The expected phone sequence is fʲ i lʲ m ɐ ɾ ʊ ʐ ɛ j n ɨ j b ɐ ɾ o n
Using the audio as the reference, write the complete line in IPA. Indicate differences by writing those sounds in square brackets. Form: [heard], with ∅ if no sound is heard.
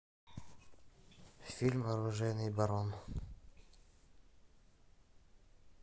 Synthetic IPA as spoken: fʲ i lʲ m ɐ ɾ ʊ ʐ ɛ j n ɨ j b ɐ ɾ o n